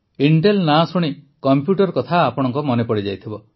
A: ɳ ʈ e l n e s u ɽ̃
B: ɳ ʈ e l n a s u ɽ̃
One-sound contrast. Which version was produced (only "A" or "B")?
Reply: B